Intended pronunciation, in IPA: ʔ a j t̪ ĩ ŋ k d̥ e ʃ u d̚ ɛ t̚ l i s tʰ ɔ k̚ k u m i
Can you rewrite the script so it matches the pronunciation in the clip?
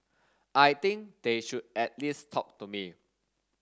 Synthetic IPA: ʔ a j t̪ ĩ ŋ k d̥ e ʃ u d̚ ɛ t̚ l i s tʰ ɔ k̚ t u m i